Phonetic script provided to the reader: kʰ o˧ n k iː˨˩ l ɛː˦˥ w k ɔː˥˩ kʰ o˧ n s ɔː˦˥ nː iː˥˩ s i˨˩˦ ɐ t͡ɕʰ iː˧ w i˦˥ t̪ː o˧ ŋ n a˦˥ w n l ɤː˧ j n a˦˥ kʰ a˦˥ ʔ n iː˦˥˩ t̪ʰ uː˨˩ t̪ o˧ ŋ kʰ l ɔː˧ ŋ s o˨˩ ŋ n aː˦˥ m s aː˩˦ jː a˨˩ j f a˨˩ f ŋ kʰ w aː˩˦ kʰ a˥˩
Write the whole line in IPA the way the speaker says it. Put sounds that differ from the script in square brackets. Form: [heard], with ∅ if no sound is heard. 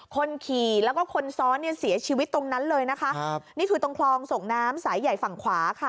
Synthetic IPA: kʰ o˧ n [kʰ] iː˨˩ l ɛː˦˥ w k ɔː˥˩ kʰ o˧ n s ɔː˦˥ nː [i˥˩] s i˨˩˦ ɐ t͡ɕʰ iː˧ w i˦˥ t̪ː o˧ ŋ n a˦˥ [∅] n l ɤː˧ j n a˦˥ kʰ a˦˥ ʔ n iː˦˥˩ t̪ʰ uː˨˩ t̪ o˧ ŋ kʰ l ɔː˧ ŋ s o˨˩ ŋ n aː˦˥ m s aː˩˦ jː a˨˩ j f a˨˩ [∅] ŋ kʰ w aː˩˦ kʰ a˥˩